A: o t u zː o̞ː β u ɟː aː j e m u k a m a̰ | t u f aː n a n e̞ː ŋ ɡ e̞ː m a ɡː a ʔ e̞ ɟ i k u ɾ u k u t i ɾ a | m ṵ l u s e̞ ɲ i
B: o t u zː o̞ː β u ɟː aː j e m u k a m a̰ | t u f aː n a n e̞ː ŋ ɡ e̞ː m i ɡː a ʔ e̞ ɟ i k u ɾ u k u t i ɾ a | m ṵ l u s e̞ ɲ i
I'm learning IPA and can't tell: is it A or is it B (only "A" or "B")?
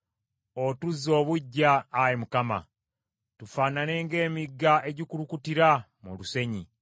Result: B